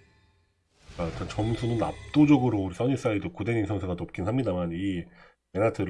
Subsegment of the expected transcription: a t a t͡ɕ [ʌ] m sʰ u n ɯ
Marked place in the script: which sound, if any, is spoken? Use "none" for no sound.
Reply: ʌ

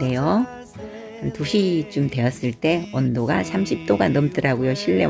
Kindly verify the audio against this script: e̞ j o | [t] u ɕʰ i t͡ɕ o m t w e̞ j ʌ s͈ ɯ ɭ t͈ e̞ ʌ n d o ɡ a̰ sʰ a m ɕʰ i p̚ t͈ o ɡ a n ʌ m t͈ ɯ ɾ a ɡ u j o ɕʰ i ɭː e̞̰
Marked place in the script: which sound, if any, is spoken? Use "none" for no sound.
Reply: t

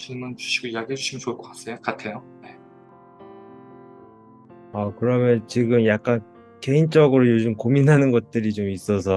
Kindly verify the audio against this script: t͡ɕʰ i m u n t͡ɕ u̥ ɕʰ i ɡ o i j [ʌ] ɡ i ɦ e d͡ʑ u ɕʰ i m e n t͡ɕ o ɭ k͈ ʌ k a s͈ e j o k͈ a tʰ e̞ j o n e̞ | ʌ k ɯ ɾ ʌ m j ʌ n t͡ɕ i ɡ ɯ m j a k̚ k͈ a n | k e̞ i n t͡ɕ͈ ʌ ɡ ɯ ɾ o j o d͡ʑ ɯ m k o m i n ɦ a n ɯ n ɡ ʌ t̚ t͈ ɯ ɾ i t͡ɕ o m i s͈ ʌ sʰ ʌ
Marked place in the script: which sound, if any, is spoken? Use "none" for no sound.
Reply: a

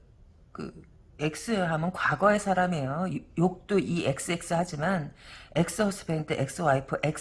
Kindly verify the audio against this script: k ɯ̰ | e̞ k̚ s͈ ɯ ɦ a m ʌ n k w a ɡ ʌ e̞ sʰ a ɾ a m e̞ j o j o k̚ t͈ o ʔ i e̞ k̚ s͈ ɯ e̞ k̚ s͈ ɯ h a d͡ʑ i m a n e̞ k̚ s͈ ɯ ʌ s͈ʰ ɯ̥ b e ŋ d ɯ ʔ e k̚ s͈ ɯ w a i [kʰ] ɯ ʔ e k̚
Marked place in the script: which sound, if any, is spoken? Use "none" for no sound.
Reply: pʰ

